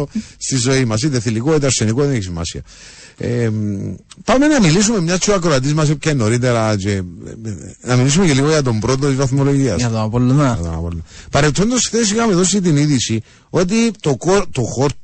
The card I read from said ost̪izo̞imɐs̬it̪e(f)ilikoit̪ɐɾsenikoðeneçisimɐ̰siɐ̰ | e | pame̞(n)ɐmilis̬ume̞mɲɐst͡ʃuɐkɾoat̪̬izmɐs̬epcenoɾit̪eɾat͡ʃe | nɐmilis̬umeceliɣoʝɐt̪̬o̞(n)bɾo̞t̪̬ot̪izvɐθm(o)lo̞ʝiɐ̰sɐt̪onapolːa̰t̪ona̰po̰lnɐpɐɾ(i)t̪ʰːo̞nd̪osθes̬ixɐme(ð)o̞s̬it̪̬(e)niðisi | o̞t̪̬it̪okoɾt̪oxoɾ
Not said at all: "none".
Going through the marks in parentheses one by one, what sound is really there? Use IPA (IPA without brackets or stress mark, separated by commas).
θ, n, m, o, e, ð, i